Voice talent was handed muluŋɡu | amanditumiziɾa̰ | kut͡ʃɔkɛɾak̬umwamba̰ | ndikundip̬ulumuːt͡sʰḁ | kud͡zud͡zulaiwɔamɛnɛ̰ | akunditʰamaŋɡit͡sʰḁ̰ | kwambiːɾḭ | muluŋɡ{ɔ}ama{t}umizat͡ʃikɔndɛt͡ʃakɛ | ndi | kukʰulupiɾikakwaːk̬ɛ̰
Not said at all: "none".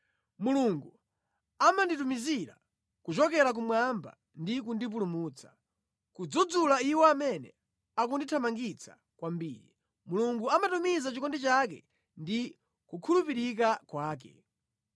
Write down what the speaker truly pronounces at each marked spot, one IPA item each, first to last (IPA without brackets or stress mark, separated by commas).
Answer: u, t